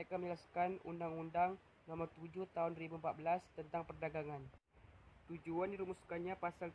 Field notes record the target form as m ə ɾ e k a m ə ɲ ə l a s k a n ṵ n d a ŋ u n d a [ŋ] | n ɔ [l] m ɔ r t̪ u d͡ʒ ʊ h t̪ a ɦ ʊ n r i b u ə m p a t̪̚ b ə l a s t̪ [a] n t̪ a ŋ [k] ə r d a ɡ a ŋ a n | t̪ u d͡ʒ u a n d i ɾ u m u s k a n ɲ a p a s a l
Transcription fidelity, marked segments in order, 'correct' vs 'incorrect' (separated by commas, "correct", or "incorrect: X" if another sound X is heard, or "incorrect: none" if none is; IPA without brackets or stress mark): correct, incorrect: none, incorrect: ə, incorrect: p